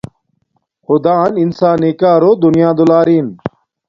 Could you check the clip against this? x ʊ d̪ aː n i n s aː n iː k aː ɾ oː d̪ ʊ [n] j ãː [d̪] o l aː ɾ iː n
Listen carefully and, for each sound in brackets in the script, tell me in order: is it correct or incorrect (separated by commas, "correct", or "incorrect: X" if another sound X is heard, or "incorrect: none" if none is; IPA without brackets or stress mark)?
correct, correct